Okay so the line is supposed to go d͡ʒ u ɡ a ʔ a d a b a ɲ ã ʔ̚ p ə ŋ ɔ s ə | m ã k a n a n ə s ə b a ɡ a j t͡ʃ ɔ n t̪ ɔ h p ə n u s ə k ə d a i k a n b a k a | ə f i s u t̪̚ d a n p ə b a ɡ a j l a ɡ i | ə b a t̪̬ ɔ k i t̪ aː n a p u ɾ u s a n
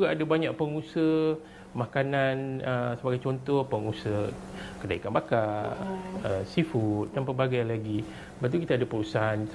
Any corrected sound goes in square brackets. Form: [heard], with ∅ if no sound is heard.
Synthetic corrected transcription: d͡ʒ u ɡ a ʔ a d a b a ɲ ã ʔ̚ p ə ŋ [u] s ə | m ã k a n a n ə s ə b a ɡ a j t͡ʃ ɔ n t̪ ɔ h p ə [ŋ] u s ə k ə d a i k a n b a k a | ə [s] i [f] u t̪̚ d a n p ə b a ɡ a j l a ɡ i | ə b a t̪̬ [u] k i t̪ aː [d] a p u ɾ u s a n